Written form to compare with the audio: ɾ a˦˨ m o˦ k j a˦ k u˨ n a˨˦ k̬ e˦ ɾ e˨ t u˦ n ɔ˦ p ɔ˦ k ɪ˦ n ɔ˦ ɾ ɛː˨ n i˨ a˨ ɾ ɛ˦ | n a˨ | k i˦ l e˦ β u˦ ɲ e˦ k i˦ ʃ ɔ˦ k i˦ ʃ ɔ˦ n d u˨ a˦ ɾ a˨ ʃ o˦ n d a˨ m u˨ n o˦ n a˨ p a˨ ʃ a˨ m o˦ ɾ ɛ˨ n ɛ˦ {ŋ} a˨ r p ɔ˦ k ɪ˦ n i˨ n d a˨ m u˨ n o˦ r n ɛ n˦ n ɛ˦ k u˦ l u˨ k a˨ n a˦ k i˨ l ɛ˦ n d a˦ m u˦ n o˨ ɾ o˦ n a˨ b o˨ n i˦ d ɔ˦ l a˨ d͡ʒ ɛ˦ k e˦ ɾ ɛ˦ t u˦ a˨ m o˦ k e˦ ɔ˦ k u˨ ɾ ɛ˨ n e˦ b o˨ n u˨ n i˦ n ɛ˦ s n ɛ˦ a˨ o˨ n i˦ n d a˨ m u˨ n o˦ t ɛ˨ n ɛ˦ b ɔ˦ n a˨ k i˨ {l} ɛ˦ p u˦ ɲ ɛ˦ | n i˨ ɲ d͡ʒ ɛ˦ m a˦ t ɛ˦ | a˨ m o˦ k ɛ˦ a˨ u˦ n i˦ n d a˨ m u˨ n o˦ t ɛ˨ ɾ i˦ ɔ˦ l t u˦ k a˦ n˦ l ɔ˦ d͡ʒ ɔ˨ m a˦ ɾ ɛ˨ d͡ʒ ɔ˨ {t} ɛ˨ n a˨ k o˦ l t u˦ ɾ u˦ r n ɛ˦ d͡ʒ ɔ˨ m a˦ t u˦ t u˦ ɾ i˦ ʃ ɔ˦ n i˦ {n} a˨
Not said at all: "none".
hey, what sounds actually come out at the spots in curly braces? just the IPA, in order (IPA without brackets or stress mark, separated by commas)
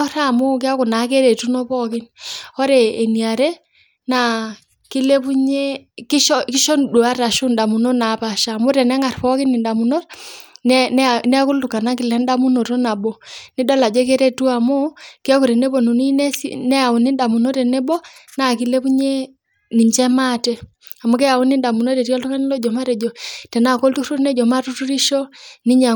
ŋ, l, t, ɲ